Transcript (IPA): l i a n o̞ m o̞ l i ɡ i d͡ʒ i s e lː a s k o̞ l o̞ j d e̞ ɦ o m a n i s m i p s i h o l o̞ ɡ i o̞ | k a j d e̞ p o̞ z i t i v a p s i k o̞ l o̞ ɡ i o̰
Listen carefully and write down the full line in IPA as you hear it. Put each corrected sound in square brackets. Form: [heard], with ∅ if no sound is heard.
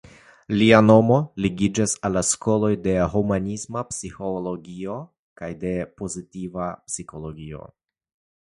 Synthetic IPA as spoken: l i a n o̞ m o̞ l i ɡ i d͡ʒ [a] s [a] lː a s k o̞ l o̞ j d e̞ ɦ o m a n i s m [a] p s i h o l o̞ ɡ i o̞ | k a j d e̞ p o̞ z i t i v a p s i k o̞ l o̞ ɡ i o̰